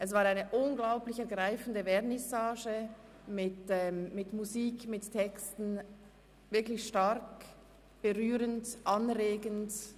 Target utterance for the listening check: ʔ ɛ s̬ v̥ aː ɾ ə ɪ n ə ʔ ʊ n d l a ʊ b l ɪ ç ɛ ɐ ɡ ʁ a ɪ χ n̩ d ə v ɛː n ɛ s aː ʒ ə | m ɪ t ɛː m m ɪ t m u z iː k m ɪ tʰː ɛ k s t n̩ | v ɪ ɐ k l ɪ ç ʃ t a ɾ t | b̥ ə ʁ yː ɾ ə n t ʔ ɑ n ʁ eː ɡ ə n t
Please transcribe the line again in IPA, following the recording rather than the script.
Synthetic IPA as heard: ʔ ɛ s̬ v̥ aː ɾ a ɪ n ə ʔ ʊ n ɡ l a ʊ p l ɪ ç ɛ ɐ ɡ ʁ a ɪ f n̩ d ə v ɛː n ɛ s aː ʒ ə | m ɪ t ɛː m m ɪ t m u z iː k m ɪ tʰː ɛ k s t n̩ | v ɪ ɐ k l ɪ ç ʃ t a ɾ k | b̥ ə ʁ yː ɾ ə n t ʔ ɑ n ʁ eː ɡ ə n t